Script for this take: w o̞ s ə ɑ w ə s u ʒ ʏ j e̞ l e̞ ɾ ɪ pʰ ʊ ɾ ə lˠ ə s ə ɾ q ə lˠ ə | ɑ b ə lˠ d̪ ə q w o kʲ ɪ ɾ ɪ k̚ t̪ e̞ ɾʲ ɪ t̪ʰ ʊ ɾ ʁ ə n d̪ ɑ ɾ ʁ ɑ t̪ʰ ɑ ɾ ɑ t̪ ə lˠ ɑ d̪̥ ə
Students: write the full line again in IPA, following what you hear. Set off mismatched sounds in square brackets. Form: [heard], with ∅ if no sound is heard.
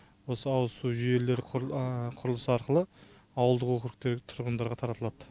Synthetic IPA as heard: w o̞ s ə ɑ w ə s u ʒ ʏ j e̞ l e̞ ɾ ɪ [qʰ] ʊ ɾ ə lˠ ə s [ɑ] ɾ q ə lˠ ə | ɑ [w] ə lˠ d̪ ə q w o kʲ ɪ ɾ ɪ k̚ t̪ e̞ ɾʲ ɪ t̪ʰ ʊ ɾ ʁ ə n d̪ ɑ ɾ ʁ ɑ t̪ʰ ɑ ɾ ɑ t̪ ə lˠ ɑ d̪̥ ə